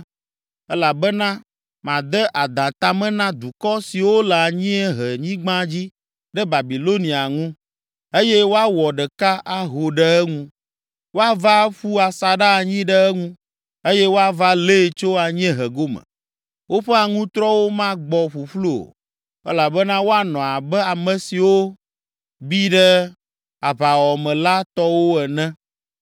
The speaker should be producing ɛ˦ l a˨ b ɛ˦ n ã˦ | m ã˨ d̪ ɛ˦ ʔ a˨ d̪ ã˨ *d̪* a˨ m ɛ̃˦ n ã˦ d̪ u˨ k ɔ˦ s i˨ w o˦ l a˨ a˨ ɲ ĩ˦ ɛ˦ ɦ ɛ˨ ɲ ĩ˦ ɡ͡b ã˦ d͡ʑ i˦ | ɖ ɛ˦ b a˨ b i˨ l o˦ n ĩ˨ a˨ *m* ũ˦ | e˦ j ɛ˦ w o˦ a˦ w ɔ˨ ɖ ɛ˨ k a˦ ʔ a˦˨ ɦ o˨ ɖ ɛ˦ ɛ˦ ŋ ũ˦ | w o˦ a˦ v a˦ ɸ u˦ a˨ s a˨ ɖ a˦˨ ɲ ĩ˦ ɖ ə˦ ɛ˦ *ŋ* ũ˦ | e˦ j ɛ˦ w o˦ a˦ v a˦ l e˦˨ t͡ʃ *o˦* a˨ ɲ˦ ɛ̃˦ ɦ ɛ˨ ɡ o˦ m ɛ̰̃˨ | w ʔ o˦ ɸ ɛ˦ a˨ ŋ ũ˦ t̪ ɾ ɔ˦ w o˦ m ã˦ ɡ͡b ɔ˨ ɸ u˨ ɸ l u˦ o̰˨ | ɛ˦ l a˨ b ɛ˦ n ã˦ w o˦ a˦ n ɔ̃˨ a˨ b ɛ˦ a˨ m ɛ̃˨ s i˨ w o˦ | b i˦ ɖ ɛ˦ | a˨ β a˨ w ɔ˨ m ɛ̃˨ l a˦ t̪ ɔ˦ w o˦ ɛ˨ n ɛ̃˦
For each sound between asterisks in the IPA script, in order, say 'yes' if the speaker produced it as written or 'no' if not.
no, no, yes, yes

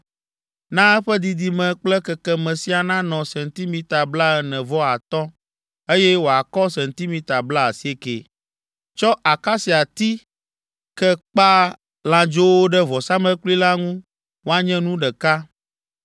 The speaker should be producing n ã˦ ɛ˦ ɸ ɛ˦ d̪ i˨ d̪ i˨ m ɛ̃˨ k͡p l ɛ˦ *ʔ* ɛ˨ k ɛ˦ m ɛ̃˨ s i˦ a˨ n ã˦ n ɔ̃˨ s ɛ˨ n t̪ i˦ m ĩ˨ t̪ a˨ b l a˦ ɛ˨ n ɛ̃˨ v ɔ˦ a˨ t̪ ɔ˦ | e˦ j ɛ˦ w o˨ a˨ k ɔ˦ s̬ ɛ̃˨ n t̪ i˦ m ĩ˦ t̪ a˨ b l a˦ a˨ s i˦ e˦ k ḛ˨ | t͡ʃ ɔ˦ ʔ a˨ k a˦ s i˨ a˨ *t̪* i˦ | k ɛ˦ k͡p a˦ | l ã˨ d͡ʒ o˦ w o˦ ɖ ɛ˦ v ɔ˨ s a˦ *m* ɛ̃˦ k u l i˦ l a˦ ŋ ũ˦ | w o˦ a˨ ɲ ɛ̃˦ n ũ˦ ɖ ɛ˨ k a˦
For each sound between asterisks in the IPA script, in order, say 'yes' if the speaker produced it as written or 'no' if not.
no, yes, yes

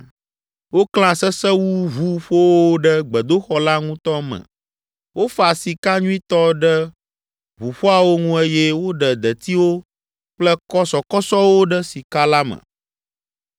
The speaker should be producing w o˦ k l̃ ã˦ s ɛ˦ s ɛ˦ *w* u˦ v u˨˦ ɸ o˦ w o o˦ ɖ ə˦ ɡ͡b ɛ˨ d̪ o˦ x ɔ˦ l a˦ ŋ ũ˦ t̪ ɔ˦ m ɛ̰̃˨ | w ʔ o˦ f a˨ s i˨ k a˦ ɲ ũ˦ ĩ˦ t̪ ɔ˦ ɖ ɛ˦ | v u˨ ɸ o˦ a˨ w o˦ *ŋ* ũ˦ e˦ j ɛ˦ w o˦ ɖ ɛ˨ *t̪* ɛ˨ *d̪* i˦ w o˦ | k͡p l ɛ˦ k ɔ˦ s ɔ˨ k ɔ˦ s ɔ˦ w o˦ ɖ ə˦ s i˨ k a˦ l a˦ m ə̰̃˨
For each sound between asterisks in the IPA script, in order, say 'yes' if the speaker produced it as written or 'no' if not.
yes, yes, no, no

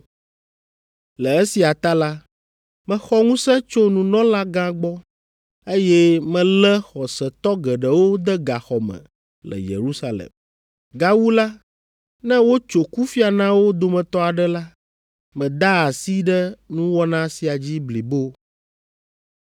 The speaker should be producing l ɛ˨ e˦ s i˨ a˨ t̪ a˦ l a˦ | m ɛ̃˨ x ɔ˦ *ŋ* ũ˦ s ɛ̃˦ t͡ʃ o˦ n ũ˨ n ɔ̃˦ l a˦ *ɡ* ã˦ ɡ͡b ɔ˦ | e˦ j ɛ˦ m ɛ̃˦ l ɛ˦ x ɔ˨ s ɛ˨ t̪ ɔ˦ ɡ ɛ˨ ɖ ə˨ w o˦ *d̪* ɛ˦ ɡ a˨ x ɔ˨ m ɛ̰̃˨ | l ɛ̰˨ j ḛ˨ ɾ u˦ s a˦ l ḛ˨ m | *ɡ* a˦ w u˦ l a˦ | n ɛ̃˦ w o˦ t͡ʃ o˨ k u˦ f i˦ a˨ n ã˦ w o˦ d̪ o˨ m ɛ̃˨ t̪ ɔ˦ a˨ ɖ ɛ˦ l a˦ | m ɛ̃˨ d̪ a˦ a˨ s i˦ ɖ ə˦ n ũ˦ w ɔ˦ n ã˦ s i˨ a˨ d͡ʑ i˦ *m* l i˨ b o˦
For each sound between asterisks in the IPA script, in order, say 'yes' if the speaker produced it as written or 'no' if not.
yes, yes, yes, yes, no

